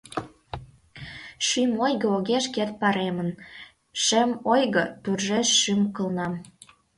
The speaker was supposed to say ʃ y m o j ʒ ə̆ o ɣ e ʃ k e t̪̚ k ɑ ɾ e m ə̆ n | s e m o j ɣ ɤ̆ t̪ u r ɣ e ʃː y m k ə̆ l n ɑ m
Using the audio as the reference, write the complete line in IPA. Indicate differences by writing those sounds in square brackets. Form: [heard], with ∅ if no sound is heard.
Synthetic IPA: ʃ y m o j [ɣ] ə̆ o ɣ e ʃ k e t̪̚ [p] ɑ ɾ e m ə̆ n | [ʃ] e m o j ɣ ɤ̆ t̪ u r [ʒ] e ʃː y m k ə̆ l n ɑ m